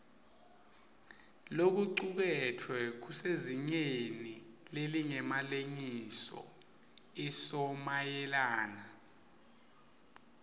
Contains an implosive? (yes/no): no